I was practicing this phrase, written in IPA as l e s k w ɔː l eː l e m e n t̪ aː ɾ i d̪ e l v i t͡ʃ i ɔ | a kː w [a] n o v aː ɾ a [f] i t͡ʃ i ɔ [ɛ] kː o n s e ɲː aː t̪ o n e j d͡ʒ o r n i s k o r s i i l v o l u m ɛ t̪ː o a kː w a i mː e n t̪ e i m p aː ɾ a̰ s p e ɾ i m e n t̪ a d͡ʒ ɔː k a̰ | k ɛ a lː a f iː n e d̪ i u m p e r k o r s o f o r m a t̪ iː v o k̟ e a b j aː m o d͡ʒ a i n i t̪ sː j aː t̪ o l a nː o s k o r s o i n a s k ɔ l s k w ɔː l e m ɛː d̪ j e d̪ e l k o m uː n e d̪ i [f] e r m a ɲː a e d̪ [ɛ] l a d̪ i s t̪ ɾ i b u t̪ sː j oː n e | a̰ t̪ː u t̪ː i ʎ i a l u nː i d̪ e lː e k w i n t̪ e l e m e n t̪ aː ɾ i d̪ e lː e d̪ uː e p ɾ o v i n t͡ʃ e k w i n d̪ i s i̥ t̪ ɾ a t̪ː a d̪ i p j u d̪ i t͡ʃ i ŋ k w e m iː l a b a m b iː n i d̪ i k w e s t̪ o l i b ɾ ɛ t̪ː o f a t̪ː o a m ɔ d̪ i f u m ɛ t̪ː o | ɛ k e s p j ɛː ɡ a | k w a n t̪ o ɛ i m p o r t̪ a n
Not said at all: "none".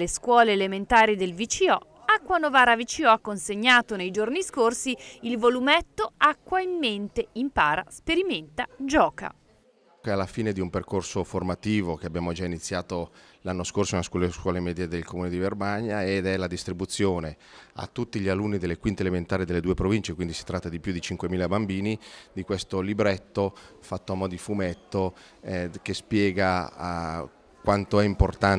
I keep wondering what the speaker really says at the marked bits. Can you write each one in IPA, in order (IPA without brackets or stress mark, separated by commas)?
a, v, a, v, ɛ